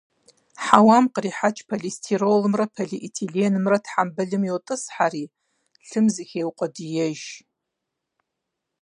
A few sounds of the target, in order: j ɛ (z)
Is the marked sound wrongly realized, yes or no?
yes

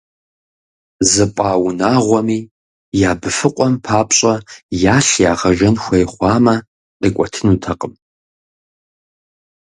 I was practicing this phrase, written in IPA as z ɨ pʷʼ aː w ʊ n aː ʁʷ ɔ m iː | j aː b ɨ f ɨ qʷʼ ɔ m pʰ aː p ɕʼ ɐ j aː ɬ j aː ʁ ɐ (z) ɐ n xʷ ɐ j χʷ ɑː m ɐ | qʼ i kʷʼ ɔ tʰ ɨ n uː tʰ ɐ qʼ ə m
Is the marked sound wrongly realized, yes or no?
yes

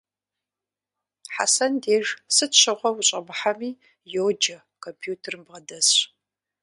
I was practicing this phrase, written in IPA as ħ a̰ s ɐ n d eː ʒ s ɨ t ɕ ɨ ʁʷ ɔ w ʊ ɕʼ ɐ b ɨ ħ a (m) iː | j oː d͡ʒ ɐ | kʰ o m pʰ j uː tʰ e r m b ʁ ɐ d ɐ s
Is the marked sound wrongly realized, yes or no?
no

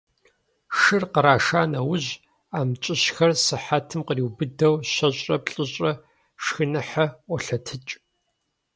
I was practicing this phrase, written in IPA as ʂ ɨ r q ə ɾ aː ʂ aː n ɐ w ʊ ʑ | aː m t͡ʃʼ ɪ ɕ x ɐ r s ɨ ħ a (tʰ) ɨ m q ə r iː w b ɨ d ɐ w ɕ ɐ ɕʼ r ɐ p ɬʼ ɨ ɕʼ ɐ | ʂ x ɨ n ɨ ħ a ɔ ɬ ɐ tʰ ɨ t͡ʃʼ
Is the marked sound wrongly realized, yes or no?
no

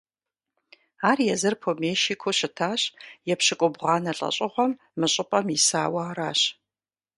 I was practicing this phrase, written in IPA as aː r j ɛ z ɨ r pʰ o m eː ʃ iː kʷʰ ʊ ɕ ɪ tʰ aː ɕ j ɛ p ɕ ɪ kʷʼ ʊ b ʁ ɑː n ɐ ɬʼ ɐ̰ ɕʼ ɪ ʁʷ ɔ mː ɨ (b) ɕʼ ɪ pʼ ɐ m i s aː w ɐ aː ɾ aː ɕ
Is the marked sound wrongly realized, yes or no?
yes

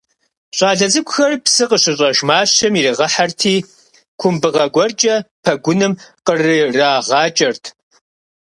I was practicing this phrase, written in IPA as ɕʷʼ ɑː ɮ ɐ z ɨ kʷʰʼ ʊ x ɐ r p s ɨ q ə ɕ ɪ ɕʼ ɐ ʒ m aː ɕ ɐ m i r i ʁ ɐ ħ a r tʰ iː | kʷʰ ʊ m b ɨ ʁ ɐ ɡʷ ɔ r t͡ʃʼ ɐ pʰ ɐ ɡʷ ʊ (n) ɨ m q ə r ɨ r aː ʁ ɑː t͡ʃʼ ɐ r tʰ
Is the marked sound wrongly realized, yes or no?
no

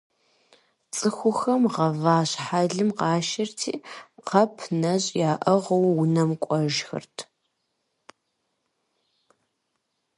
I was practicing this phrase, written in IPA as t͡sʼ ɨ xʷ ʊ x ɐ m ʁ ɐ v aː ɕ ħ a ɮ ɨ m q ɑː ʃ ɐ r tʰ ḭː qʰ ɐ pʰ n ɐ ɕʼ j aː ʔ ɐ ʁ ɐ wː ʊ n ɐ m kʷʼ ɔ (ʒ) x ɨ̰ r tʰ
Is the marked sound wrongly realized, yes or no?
no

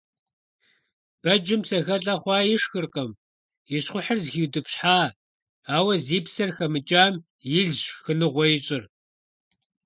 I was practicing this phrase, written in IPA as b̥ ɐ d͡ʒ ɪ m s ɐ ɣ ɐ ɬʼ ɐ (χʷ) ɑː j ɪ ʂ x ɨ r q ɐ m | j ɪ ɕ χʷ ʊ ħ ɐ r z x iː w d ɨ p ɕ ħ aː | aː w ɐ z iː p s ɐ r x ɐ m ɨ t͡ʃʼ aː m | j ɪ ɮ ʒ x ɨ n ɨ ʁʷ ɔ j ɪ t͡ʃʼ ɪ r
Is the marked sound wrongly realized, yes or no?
no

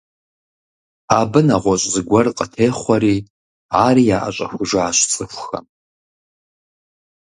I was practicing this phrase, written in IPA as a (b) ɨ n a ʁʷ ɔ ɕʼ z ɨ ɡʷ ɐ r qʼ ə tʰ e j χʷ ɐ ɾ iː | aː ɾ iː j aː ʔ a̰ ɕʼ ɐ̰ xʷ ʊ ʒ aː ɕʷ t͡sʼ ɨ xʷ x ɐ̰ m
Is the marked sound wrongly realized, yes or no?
no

